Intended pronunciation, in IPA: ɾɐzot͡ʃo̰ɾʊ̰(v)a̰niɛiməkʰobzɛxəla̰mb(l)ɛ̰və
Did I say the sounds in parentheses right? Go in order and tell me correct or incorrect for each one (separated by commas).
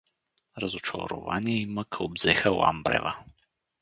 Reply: correct, incorrect